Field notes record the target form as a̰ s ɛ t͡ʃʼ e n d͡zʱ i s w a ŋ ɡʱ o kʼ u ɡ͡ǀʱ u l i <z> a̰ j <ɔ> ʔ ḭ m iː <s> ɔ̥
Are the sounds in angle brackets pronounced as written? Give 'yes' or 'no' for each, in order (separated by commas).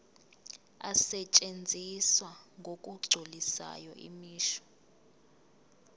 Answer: no, yes, no